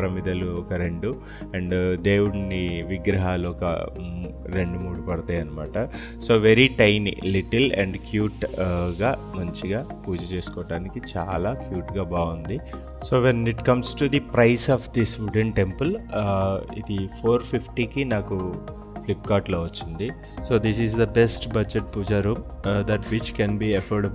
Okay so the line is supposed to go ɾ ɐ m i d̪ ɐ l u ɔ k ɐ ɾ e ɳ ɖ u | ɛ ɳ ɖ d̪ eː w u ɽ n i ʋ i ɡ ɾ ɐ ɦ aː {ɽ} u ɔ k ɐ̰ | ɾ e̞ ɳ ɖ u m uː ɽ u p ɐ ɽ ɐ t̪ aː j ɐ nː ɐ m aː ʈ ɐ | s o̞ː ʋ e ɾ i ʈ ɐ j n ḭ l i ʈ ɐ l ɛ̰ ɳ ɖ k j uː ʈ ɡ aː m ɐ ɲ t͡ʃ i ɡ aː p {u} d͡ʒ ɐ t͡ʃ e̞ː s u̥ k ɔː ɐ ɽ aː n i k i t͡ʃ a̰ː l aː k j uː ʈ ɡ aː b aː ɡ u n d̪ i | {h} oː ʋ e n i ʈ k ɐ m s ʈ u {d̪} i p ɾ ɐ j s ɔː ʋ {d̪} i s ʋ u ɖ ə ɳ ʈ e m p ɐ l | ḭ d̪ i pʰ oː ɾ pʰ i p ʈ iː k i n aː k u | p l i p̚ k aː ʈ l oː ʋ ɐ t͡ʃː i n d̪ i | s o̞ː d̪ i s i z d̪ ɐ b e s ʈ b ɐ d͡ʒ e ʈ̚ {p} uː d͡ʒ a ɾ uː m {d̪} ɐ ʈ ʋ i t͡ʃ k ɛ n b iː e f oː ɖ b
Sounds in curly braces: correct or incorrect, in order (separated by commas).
incorrect, incorrect, incorrect, correct, correct, correct, correct